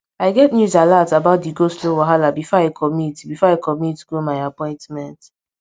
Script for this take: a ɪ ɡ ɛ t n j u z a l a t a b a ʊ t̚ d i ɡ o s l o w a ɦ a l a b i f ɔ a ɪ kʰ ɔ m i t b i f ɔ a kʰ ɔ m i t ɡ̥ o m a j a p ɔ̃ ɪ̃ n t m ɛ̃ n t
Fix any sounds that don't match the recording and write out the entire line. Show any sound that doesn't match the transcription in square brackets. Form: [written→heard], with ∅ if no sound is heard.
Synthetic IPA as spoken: a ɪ ɡ ɛ t n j u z a l a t a b a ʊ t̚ d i ɡ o s l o w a ɦ a l a b i f ɔ a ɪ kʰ ɔ m i t b i f ɔ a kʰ ɔ m i t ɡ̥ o m a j a p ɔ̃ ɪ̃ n t m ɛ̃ n t